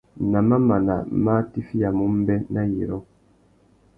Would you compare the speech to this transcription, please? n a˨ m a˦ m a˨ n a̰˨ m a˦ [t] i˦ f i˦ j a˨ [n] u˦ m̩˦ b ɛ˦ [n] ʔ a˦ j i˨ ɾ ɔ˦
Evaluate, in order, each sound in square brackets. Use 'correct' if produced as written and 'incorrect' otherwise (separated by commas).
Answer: correct, incorrect, correct